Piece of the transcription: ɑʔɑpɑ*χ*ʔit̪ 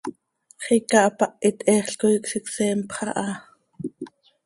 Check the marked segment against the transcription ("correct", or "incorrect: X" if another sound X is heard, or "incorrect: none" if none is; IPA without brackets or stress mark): incorrect: none